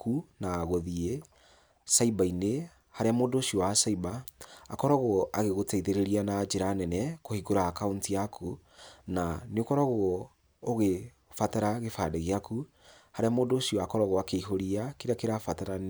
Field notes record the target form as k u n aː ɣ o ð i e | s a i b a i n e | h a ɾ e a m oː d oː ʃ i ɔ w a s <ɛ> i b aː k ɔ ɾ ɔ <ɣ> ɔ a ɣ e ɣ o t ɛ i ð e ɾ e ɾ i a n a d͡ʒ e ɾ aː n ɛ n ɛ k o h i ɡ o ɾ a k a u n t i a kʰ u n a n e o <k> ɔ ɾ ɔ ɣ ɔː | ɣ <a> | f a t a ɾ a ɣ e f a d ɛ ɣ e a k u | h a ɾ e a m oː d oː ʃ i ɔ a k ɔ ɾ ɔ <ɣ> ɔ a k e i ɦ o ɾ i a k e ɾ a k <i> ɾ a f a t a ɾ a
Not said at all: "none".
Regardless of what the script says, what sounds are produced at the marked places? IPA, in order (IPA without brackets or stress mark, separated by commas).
a, ɣ, k, e, ɣ, e